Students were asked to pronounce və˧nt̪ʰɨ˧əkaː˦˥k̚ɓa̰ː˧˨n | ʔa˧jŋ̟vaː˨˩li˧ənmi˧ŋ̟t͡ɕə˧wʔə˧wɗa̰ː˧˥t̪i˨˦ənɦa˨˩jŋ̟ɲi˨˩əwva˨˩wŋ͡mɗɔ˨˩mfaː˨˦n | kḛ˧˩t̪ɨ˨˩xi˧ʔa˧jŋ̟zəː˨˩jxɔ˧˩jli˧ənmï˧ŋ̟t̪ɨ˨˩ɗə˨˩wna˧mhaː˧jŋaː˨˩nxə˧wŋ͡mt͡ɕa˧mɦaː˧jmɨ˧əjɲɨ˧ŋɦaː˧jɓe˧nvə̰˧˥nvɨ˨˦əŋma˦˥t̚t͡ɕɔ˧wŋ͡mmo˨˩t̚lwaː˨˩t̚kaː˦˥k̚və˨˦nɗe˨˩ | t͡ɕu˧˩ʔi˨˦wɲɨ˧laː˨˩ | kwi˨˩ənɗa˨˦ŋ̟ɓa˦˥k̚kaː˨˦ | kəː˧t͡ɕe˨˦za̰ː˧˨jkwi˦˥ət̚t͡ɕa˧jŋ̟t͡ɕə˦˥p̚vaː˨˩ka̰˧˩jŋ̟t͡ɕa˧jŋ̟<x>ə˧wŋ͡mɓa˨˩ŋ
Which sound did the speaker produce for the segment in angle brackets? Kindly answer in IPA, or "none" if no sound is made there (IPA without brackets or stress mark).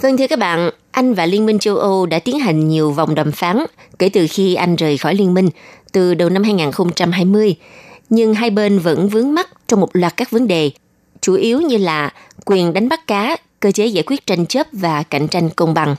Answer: k